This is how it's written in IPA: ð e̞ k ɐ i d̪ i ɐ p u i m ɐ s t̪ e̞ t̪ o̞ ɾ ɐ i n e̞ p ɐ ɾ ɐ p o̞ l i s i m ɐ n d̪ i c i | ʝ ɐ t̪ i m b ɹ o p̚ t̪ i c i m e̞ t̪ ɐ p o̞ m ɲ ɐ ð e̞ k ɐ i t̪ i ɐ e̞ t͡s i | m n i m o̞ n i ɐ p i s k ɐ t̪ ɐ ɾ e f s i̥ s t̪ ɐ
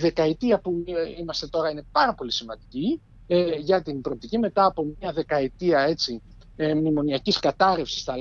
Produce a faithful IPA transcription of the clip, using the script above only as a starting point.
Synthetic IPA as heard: ð e̞ k ɐ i t̪ i ɐ p u i m ɐ s t̪ e̞ t̪ o̞ ɾ ɐ i n e̞ p ɐ ɾ ɐ p o̞ l i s i m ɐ n d̪ i c i | ʝ ɐ t̪ i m b ɾ o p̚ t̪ i c i m e̞ t̪ ɐː p o̞ m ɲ ɐ ð e̞ k ɐ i t̪ i ɐ e̞ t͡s i | m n i m o̞ n i ɐ c i s k ɐ t̪ ɐ ɾ e f s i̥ s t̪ ɐ